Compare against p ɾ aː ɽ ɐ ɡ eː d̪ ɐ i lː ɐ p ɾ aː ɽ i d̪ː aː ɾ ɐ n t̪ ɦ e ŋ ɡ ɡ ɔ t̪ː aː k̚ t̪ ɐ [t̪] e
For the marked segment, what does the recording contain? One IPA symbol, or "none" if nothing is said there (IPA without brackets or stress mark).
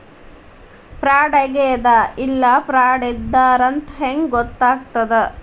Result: d̪